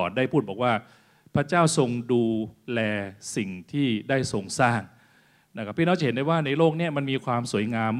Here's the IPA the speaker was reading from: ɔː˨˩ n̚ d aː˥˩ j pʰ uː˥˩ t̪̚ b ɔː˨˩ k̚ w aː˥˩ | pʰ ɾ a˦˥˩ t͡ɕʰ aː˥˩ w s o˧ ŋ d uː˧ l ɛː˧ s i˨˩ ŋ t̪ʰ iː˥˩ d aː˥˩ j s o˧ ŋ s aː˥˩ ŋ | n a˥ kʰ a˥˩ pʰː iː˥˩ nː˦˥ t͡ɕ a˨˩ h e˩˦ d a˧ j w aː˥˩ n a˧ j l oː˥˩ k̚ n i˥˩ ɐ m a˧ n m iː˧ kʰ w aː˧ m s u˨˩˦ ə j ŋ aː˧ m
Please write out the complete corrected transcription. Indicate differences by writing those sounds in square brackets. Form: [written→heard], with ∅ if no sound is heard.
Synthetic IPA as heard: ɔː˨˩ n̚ d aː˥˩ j pʰ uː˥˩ t̪̚ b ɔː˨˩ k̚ w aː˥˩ | pʰ ɾ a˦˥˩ [t͡ɕʰ→t͡ɕ] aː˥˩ w s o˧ ŋ d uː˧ l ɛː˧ s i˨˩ ŋ t̪ʰ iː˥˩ d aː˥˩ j s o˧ ŋ s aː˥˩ ŋ | n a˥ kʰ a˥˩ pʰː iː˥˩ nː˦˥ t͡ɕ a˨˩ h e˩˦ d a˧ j w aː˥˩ n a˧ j l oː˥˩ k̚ n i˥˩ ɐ m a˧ n m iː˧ kʰ w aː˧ m s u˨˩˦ ə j ŋ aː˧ m